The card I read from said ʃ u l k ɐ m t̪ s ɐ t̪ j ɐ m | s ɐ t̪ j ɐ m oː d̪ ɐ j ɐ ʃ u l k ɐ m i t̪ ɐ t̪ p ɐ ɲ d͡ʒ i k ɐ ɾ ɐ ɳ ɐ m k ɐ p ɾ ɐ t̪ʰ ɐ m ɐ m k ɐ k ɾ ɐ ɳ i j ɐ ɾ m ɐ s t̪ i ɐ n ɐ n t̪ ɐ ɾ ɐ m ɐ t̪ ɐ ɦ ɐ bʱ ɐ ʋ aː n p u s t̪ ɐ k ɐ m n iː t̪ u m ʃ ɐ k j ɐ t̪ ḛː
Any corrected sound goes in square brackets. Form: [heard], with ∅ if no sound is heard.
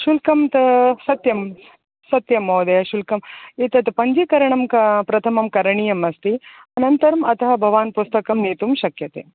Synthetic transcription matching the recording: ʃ u l k ɐ m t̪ s ɐ t̪ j ɐ m | s ɐ t̪ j ɐ m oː d̪ ɐ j ɐ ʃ u l k ɐ m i t̪ ɐ t̪ p ɐ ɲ d͡ʒ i k ɐ ɾ ɐ ɳ ɐ m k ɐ p ɾ ɐ t̪ʰ ɐ m ɐ m k ɐ [∅] ɾ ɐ ɳ i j ɐ [∅] m ɐ s t̪ i ɐ n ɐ n t̪ ɐ ɾ ɐ m ɐ t̪ ɐ ɦ ɐ bʱ ɐ ʋ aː n p u s t̪ ɐ k ɐ m n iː t̪ u m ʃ ɐ k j ɐ t̪ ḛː